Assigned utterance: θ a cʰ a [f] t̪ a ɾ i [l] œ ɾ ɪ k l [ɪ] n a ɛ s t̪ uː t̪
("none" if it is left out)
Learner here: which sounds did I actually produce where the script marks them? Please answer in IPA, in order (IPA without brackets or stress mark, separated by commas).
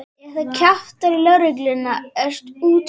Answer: f, l, ɪ